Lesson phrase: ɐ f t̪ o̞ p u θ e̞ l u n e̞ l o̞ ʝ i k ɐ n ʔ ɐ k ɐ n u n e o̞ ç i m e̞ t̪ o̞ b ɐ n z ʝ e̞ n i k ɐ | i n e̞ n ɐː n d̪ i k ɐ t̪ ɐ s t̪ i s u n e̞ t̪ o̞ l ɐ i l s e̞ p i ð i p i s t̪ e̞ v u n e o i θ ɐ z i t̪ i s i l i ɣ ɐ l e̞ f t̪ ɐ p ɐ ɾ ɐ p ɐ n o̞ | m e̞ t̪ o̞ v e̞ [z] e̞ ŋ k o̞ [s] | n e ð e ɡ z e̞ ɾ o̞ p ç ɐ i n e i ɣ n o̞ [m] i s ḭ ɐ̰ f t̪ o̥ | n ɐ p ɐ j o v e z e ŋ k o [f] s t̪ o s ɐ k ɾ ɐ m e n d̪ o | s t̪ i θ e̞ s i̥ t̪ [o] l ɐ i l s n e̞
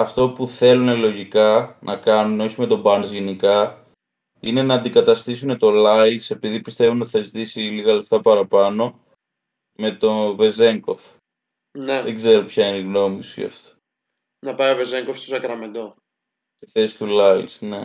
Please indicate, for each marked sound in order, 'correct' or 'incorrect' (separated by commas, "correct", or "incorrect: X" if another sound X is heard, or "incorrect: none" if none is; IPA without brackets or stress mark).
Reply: correct, incorrect: f, correct, correct, incorrect: u